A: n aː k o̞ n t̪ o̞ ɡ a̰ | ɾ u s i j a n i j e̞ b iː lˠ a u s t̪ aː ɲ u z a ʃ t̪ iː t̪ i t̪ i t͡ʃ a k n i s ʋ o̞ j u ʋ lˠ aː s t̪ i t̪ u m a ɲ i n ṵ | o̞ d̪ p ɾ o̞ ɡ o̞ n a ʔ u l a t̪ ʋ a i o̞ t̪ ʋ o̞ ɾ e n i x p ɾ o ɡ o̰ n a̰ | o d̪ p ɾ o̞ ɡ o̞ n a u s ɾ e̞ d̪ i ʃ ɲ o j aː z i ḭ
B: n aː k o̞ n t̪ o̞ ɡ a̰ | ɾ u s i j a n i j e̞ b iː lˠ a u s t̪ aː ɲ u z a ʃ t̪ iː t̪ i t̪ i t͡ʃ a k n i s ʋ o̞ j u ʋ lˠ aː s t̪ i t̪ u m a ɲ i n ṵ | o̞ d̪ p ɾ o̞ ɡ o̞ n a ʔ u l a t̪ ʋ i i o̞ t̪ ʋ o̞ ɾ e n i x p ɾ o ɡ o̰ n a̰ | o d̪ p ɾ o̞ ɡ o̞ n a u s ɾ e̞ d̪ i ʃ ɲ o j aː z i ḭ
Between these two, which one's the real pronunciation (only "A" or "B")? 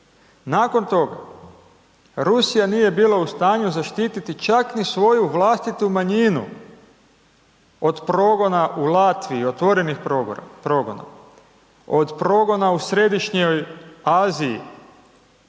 B